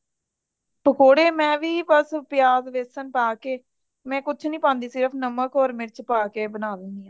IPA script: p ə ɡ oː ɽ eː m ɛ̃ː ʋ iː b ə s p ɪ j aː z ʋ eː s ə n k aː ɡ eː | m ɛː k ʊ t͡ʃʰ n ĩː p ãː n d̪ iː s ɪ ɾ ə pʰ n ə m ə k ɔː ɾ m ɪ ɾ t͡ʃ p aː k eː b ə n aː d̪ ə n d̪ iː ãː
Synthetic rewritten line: p ə k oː ɽ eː m ɛ̃ː ʋ iː b ə s p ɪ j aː z ʋ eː s ə n p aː k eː | m ɛ̃ː k ʊ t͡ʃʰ n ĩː p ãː n d̪ iː s ɪ ɾ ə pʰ n ə m ə k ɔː ɾ m ɪ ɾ t͡ʃ p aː k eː b ə n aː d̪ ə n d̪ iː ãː